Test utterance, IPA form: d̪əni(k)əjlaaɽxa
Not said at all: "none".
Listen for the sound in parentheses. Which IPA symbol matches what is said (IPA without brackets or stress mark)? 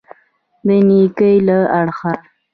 k